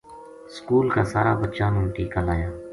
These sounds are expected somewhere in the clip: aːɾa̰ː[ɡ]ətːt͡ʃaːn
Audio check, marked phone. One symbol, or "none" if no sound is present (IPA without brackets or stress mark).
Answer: b